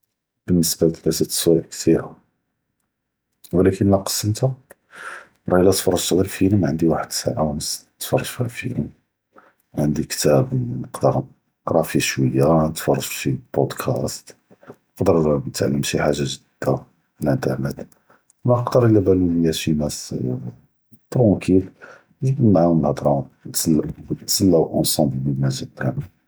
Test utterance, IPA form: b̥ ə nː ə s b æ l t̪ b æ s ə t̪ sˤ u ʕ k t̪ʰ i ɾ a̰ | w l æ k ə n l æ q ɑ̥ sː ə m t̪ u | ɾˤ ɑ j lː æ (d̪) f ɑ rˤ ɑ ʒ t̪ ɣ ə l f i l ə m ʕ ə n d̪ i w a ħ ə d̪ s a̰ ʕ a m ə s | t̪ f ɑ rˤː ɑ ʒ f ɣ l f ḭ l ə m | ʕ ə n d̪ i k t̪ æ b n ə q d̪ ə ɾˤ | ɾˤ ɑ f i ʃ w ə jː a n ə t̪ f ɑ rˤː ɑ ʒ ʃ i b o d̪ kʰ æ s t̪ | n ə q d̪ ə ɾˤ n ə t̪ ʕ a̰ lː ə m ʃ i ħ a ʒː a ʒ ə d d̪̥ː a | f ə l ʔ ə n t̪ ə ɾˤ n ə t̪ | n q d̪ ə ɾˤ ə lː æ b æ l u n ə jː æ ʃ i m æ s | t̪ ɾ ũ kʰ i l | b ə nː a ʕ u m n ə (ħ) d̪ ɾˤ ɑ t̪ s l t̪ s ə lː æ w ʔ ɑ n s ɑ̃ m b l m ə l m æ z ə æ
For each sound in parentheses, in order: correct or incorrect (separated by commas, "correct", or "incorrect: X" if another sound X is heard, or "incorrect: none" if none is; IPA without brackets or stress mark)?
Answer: incorrect: t̪, incorrect: h